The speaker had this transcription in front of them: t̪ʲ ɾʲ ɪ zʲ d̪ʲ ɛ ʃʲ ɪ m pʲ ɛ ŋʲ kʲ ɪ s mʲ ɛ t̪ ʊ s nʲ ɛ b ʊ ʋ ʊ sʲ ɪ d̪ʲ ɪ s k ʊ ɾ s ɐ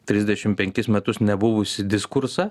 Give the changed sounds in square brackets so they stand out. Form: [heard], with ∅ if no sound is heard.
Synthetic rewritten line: t̪ʲ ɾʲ ɪ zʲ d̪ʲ ɛ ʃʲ ɪ m pʲ ɛ ŋʲ kʲ ɪ s mʲ ɛ t̪ ʊ s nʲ ɛ b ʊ ʋ ʊ sʲ ɪ d̪ʲ ɪ s k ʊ ɾ s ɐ